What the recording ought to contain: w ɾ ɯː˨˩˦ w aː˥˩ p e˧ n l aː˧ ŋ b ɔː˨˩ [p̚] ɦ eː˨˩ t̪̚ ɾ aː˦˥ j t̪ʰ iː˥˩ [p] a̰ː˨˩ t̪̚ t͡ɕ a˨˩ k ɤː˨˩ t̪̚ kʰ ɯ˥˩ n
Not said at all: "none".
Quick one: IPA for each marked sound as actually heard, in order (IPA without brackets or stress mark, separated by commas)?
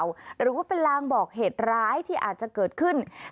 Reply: k̚, ʔ